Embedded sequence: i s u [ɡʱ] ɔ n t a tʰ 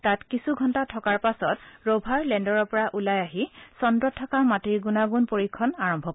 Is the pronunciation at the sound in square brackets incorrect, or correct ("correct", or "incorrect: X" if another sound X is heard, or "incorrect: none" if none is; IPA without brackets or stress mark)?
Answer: correct